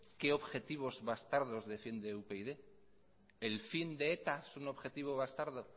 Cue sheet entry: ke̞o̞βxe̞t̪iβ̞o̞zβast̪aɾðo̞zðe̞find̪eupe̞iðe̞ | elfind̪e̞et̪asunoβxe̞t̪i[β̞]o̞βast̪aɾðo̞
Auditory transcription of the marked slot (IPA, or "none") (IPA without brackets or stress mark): β̞